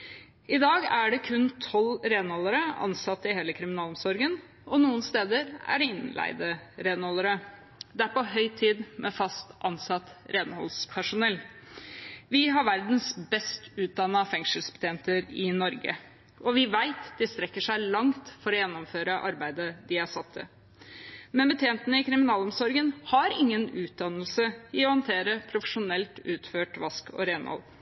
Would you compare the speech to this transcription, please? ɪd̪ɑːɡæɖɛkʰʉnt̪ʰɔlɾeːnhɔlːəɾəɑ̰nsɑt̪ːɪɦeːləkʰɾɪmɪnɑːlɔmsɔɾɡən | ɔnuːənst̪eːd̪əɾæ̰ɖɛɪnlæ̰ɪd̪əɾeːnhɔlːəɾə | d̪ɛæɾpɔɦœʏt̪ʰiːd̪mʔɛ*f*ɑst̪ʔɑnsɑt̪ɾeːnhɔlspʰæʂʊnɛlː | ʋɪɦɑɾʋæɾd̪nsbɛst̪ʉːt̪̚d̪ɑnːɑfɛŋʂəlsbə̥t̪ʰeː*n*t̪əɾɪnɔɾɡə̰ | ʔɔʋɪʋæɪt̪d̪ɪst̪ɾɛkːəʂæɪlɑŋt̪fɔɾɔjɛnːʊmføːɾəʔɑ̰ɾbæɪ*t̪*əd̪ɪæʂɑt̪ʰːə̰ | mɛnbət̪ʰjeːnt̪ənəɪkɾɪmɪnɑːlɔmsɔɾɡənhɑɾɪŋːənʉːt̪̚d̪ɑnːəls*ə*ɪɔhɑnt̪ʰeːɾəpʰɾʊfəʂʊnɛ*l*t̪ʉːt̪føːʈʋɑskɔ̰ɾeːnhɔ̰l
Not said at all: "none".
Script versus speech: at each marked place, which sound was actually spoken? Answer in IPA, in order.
f, n, d̪, ə, l

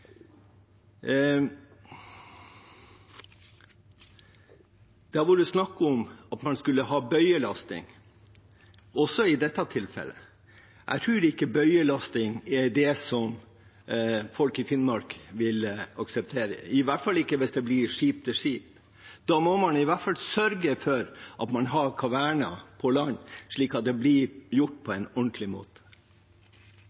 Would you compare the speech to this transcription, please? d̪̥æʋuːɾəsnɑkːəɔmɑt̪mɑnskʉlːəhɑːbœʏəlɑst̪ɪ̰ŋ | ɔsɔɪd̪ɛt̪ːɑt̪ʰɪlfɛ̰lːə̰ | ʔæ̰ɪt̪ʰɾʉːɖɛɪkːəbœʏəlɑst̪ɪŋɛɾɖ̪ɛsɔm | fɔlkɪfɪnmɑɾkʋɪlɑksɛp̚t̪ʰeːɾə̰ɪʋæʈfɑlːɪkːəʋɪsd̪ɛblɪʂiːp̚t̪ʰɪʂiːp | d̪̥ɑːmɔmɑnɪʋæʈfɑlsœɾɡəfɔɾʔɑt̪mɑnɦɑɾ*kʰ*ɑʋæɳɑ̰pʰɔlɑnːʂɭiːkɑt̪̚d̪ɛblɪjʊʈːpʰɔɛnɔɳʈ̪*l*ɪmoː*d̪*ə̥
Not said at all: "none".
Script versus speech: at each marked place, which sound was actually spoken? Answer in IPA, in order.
kʰ, l, t̪

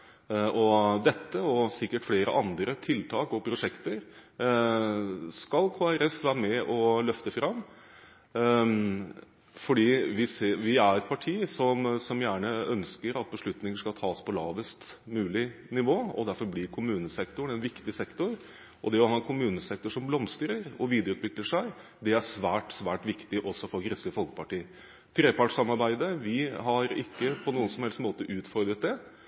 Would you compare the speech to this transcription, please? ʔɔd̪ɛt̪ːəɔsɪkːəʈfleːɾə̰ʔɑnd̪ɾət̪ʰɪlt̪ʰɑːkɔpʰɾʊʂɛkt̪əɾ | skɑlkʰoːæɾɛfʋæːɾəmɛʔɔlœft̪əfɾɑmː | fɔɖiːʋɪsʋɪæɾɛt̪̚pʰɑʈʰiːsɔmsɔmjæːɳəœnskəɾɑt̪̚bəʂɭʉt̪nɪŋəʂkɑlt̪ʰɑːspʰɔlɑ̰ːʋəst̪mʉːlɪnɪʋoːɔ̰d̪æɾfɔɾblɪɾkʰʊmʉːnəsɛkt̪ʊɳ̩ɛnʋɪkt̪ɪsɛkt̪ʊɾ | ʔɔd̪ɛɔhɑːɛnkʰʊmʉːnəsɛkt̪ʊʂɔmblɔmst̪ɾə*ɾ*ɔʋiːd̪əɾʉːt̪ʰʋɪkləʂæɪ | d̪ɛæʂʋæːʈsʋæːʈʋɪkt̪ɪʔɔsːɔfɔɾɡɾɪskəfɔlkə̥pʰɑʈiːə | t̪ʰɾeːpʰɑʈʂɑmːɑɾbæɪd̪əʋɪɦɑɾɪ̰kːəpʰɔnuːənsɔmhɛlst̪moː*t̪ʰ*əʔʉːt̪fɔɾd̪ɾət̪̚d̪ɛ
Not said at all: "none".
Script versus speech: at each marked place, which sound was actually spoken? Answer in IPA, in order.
ɾ, t̪

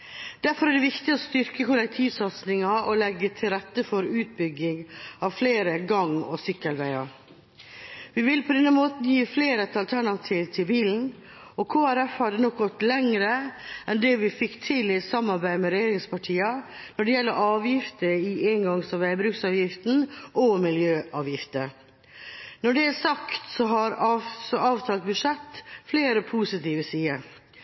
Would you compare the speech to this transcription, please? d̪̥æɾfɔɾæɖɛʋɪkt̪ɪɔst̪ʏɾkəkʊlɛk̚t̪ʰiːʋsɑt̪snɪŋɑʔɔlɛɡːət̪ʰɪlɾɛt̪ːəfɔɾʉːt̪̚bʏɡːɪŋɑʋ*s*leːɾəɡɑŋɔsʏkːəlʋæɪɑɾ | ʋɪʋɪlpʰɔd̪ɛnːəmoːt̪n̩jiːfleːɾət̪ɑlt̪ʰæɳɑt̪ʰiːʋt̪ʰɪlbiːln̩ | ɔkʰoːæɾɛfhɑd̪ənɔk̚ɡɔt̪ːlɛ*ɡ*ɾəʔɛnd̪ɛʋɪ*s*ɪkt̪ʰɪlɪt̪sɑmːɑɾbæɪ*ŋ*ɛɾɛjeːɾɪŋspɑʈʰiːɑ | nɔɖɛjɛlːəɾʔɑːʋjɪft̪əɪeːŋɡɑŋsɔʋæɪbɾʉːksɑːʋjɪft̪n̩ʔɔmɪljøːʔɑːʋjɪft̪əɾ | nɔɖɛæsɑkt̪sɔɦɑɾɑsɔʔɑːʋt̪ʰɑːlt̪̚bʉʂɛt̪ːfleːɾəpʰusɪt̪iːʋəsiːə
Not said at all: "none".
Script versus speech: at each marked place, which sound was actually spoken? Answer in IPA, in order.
f, ŋ, f, m

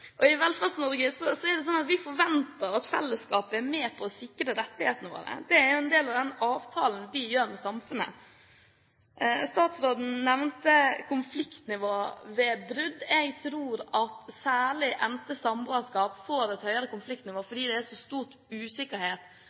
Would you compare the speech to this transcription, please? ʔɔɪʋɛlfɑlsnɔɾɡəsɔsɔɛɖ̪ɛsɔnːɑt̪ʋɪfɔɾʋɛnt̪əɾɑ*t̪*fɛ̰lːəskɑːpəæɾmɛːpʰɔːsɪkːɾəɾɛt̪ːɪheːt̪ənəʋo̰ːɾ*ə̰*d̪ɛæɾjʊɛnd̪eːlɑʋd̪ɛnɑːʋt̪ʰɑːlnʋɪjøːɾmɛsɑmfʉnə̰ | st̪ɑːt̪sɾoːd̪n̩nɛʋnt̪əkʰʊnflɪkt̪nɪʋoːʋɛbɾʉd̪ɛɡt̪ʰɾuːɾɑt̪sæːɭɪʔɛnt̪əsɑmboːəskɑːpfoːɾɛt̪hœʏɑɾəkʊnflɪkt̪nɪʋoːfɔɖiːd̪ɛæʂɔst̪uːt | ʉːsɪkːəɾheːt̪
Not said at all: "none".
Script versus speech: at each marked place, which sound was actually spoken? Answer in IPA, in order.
t̪, ə̰

